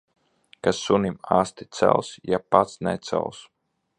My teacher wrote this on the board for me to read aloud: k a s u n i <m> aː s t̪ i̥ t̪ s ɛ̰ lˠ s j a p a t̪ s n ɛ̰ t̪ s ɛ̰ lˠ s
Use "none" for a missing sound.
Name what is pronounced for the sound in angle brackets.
m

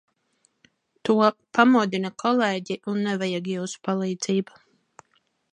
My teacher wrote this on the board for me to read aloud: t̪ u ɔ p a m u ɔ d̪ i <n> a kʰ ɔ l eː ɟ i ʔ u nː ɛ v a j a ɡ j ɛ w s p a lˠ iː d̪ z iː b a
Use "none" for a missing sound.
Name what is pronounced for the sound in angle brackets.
n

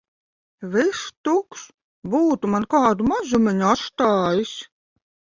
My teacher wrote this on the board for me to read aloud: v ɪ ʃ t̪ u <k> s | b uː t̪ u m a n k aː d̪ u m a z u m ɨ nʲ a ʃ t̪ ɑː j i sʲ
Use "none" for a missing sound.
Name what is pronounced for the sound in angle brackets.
k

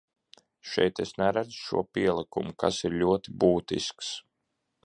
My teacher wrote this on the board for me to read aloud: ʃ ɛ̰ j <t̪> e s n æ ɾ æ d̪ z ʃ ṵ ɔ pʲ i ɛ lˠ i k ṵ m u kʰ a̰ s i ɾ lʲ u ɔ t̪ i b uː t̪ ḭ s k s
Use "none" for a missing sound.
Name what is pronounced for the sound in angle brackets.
t̪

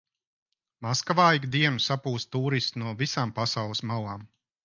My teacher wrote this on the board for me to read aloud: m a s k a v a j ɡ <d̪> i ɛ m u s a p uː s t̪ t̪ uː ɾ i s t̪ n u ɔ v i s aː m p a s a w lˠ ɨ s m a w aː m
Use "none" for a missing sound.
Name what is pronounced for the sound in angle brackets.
d̪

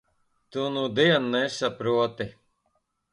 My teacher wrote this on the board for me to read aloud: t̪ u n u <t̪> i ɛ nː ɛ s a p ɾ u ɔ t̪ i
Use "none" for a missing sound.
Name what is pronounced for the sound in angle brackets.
d̪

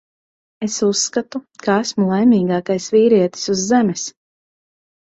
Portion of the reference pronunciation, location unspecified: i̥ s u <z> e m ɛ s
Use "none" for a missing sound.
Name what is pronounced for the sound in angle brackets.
zː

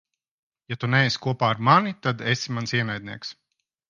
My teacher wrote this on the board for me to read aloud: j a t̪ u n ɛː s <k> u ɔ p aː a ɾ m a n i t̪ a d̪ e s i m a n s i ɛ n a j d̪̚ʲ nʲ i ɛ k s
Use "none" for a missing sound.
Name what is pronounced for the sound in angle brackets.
k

